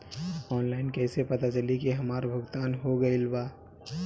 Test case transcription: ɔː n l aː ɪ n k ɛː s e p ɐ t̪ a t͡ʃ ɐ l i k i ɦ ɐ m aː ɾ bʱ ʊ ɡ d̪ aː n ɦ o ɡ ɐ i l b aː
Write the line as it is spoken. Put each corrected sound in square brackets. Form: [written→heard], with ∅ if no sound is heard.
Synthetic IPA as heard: ɔː n l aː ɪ n k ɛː s e p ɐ t̪ a t͡ʃ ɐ l i k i ɦ ɐ m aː ɾ bʱ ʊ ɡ [d̪→t̪] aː n ɦ o ɡ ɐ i l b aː